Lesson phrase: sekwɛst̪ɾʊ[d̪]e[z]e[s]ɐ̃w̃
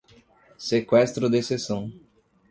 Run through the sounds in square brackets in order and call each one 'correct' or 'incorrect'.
correct, incorrect, correct

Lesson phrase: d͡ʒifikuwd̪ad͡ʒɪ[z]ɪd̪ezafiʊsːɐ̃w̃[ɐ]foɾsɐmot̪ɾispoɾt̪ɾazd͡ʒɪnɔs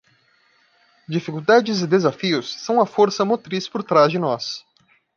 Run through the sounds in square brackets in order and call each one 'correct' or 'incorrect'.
correct, correct

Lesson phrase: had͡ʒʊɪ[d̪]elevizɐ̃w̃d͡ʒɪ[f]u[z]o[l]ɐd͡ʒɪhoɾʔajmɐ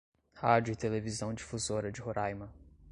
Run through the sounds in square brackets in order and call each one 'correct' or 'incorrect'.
incorrect, correct, correct, incorrect

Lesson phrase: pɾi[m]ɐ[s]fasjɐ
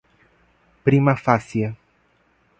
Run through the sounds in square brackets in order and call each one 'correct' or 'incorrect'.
correct, incorrect

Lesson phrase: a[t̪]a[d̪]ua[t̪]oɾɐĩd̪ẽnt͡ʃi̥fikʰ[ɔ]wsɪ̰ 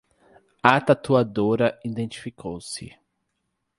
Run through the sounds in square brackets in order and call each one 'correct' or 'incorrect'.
correct, incorrect, incorrect, incorrect

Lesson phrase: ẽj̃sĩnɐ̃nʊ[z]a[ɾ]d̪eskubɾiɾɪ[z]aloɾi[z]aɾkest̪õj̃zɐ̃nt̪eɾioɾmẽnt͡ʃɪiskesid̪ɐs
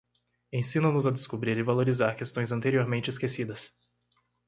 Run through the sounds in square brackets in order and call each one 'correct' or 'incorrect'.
correct, incorrect, incorrect, correct

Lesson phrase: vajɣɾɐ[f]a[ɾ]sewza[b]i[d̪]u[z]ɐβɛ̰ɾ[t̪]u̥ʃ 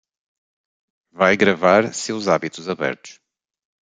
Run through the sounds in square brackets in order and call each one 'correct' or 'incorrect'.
incorrect, correct, incorrect, incorrect, correct, correct

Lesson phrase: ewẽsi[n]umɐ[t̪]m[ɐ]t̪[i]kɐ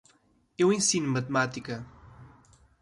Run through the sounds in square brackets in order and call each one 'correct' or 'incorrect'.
correct, correct, incorrect, correct

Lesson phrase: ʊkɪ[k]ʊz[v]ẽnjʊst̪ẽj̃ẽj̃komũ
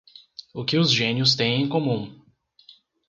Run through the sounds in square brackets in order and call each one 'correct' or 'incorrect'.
incorrect, incorrect

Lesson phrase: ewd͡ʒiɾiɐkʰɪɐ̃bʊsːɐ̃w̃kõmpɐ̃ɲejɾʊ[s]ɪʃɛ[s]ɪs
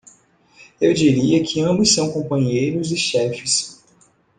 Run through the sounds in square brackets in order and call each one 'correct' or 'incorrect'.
incorrect, incorrect

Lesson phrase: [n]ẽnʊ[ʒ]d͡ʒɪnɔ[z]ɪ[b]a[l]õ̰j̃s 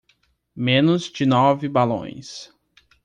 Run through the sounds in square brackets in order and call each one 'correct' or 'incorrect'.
incorrect, incorrect, incorrect, correct, correct

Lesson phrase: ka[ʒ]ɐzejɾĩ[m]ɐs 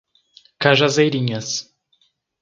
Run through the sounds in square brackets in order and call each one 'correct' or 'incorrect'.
correct, incorrect

